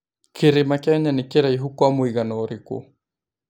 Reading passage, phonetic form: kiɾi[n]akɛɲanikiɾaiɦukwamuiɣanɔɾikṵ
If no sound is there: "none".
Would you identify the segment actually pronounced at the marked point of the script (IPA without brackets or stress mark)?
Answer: m